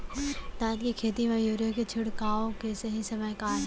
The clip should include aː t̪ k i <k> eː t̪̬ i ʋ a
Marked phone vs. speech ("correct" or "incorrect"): incorrect